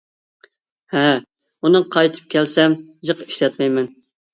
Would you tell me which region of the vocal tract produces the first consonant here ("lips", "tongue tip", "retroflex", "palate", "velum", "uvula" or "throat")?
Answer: throat